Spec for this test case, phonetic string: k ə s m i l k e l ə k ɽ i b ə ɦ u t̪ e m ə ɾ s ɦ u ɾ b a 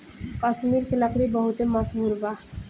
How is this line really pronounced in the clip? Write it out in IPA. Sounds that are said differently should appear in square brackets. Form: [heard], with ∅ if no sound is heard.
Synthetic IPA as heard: k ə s m i [ɾ] k e l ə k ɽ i b ə ɦ u t̪ e m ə [∅] s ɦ u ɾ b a